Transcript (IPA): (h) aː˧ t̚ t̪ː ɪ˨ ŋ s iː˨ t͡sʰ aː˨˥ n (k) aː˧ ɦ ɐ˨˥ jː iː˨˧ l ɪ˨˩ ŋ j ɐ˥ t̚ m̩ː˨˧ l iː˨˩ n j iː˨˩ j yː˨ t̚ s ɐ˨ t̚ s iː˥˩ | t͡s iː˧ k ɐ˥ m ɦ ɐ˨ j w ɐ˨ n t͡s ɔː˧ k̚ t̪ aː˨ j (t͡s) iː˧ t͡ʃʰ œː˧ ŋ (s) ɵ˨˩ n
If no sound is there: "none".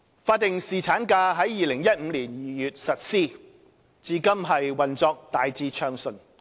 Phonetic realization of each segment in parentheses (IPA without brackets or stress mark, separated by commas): f, k, t͡s, s